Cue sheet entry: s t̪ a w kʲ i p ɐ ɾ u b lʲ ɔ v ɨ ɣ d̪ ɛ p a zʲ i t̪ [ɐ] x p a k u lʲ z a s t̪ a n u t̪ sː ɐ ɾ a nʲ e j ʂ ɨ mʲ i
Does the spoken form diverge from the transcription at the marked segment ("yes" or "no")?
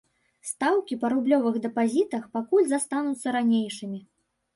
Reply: no